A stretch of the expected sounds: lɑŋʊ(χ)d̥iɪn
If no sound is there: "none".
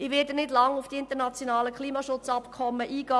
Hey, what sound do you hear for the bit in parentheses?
f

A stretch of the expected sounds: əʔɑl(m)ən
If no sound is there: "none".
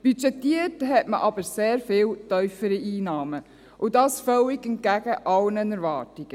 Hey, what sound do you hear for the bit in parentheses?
n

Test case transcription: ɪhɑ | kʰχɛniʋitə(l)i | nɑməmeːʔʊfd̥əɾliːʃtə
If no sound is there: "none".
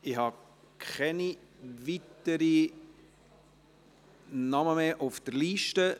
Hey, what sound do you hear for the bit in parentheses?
ɾ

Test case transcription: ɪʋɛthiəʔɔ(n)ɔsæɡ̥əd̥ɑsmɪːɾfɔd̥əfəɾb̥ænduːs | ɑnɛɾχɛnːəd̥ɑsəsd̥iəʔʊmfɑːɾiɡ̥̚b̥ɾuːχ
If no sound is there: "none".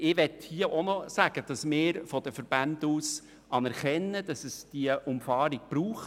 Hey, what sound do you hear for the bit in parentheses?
n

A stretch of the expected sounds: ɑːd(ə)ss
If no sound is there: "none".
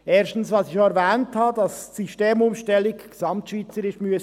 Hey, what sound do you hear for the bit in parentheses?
ɑ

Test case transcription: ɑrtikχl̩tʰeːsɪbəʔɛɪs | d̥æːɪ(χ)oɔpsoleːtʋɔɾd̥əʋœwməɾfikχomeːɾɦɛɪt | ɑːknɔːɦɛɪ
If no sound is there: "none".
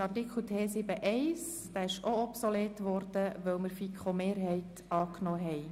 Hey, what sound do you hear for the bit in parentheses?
ʃ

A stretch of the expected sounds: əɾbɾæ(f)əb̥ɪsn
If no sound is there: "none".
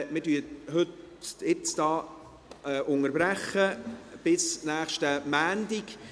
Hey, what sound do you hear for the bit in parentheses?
χ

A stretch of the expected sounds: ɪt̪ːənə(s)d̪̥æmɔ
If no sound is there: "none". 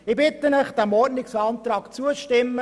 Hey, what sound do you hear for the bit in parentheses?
χ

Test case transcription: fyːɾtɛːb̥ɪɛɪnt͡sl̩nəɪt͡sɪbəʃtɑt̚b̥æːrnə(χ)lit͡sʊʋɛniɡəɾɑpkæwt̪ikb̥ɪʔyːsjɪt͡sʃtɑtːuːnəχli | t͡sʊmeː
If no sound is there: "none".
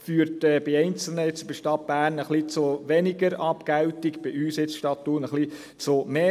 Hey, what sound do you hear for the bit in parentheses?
χ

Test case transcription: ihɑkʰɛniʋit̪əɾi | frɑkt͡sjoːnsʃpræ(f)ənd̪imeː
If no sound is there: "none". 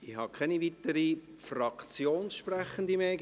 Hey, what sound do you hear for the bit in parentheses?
χ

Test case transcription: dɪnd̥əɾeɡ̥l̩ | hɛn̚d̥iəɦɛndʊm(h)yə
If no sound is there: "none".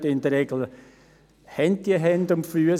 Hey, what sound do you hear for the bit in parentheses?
f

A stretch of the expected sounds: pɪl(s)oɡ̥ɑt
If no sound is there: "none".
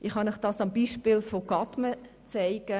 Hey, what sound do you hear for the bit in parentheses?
f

